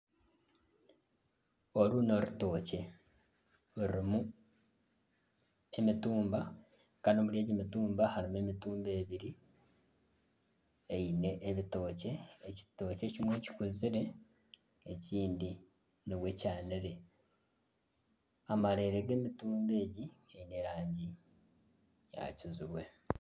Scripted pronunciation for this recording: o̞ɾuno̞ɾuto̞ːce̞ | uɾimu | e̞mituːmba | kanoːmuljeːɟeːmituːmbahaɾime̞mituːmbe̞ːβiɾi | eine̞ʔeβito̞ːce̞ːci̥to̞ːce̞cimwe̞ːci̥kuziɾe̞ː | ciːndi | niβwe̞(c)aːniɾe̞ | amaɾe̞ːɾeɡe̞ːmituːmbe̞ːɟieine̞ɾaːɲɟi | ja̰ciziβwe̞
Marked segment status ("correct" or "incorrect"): correct